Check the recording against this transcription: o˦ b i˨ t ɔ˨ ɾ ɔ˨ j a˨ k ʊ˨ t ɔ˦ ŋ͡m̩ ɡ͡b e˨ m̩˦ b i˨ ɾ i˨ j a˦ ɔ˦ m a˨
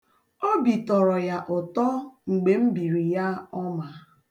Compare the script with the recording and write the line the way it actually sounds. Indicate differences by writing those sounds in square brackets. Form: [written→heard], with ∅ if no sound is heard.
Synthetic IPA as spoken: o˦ b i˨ t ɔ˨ ɾ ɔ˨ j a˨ [k→ʔ] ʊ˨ t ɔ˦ ŋ͡m̩ ɡ͡b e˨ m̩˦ b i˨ ɾ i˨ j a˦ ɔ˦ m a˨